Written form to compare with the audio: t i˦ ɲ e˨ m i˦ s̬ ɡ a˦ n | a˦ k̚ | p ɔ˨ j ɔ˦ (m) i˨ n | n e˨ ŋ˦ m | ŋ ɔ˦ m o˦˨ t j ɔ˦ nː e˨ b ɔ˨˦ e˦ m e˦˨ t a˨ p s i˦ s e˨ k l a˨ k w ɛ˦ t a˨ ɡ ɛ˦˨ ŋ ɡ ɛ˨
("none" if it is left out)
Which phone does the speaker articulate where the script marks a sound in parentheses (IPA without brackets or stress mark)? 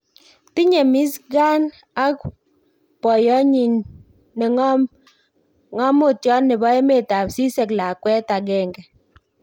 ɲ